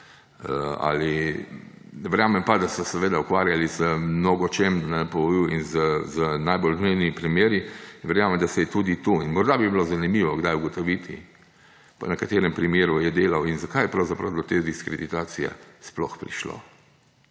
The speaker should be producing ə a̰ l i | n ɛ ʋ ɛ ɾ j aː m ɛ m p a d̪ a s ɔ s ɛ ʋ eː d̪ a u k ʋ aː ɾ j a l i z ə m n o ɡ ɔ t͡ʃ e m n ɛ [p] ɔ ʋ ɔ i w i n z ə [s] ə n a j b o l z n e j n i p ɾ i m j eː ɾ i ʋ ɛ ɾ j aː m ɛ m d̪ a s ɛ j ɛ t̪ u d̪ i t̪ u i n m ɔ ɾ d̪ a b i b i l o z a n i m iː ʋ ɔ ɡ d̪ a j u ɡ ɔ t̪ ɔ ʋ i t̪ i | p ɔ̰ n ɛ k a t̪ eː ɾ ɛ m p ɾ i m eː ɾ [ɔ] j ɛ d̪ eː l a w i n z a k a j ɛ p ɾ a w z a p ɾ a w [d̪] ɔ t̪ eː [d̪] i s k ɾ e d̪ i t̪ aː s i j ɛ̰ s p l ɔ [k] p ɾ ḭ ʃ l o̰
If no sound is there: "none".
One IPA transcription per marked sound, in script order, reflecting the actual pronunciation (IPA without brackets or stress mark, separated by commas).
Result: p, z, u, d̪, d̪, x